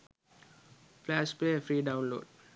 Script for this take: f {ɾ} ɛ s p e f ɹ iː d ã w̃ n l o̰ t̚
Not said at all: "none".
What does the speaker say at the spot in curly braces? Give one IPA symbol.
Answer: l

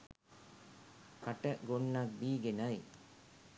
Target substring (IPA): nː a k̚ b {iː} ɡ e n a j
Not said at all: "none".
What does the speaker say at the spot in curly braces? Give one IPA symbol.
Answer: iː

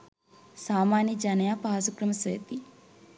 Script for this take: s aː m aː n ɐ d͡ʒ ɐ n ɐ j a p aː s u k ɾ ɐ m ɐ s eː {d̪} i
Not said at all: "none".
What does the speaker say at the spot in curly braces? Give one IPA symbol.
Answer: t̪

